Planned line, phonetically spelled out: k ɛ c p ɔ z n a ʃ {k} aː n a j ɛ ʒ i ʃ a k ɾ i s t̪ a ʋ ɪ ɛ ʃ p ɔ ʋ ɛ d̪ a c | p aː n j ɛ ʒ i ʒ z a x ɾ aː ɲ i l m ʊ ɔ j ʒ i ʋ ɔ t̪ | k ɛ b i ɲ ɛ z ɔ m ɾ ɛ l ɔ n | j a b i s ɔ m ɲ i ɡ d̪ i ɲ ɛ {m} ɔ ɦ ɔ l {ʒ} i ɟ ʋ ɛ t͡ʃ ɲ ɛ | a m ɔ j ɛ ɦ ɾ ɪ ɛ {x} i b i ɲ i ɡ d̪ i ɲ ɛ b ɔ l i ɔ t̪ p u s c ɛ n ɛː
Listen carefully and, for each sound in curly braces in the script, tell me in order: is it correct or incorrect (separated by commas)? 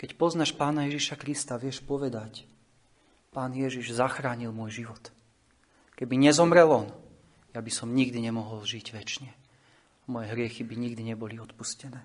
incorrect, correct, correct, correct